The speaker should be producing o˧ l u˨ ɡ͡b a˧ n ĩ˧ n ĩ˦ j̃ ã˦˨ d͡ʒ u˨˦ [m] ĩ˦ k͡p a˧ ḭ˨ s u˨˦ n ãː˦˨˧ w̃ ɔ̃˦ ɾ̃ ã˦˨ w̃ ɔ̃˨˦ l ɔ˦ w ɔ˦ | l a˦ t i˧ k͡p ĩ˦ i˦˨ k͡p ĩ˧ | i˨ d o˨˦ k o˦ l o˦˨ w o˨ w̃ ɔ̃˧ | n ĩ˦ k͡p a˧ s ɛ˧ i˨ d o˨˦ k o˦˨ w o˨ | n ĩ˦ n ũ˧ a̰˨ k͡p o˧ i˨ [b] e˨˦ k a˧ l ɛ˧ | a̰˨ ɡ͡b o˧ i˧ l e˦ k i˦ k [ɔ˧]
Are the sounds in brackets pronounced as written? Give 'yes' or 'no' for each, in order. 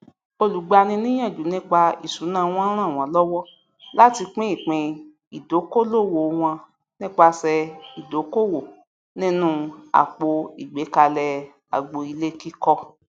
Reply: no, no, yes

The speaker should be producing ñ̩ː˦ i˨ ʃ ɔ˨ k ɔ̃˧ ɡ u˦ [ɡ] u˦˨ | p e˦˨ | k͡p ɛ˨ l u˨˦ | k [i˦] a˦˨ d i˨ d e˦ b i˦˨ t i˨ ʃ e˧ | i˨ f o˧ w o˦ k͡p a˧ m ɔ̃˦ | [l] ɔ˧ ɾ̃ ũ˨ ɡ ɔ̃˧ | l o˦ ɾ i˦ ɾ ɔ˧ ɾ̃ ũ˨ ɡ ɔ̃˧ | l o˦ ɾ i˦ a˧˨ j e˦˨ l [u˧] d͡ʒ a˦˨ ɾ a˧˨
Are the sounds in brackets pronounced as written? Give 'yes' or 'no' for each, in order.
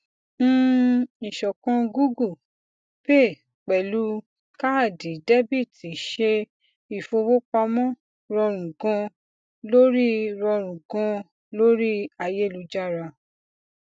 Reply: yes, no, no, yes

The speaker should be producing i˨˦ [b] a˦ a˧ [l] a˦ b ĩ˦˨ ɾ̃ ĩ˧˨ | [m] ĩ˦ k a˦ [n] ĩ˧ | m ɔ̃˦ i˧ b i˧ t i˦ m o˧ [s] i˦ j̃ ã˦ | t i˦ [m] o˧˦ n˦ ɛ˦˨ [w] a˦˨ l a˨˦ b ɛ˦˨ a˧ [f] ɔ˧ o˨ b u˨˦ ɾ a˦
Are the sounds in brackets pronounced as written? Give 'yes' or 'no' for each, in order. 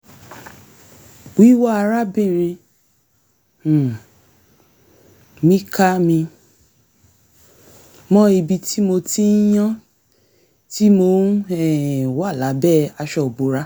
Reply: no, no, yes, no, no, yes, yes, no

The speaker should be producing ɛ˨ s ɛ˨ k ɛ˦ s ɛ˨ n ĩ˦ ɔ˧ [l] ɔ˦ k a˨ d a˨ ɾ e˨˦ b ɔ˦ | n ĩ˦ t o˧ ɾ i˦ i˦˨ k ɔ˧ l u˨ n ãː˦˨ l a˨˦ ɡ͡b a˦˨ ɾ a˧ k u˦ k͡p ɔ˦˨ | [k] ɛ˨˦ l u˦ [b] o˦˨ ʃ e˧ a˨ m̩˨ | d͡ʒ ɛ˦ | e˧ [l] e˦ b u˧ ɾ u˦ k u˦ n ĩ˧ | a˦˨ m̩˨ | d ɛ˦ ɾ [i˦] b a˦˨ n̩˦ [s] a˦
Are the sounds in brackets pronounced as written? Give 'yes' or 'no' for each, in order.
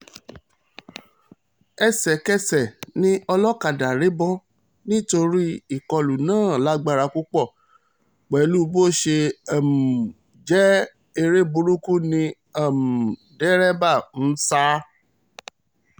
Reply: yes, no, yes, no, no, yes

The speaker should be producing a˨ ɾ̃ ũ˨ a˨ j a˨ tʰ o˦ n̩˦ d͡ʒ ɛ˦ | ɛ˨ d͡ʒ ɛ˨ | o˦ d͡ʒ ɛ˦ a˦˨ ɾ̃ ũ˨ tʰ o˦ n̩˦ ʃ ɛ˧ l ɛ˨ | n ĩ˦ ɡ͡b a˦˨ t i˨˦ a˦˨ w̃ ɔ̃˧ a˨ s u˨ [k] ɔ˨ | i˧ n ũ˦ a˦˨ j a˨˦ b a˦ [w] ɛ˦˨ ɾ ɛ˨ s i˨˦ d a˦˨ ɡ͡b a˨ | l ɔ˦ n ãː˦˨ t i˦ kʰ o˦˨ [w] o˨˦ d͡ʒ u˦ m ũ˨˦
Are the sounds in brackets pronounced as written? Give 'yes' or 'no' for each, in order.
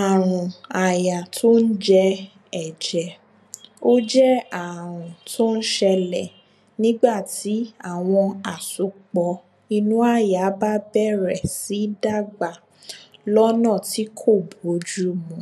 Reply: no, no, no

